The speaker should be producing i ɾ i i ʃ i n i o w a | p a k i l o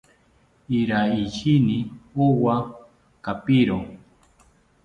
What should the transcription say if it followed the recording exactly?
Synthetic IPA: i ɾ a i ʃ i n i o w a | k a p i ɾ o